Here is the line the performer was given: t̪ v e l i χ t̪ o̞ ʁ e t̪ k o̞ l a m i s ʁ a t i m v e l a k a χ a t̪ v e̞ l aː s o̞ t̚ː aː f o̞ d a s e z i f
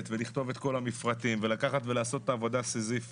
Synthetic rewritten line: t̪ v e l i χ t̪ o̞ v e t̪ k o̞ l a m i f ʁ a t i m v e l a k a χ a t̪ v e̞ l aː s o̞ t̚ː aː v o̞ d a s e z i f